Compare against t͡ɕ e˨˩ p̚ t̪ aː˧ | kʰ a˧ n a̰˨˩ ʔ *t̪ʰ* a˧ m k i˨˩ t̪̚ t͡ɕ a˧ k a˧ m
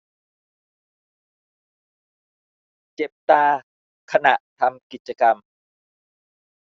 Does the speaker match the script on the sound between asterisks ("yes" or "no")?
yes